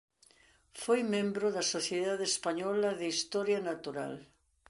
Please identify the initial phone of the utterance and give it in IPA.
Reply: f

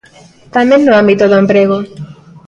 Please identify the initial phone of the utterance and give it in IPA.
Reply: t̪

